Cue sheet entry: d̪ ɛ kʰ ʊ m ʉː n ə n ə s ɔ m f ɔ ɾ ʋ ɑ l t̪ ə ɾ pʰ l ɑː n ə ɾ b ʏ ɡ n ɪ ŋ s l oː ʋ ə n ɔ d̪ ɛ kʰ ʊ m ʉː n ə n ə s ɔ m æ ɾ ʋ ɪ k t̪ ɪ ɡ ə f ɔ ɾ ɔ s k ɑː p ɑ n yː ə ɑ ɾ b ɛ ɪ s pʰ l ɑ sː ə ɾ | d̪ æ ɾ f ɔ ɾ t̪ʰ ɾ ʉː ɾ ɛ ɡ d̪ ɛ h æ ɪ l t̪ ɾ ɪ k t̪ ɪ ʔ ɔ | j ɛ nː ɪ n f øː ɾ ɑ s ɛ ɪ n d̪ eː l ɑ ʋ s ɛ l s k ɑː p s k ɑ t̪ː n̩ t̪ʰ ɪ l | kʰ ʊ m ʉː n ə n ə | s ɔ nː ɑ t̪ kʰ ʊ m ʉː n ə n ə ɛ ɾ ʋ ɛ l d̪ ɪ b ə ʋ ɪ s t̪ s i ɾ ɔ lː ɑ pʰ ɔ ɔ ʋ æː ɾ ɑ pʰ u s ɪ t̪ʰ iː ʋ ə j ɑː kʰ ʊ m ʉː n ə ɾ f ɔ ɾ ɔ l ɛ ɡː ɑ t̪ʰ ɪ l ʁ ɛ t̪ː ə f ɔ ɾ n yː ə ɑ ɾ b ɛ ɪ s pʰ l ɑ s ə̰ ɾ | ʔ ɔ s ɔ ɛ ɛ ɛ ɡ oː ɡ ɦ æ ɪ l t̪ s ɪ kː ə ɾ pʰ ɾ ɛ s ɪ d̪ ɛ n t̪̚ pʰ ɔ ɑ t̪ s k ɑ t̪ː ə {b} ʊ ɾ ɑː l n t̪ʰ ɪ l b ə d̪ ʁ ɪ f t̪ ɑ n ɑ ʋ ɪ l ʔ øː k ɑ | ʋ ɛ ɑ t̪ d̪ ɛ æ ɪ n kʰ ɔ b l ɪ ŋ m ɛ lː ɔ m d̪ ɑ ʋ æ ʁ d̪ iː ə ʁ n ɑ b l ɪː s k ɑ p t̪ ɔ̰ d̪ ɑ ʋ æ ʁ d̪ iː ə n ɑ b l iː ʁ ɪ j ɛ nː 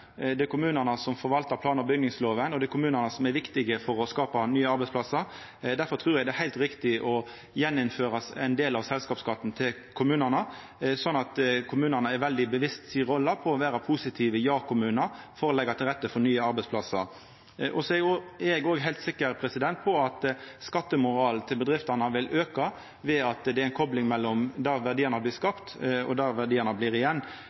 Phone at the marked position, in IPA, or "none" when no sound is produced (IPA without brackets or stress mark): m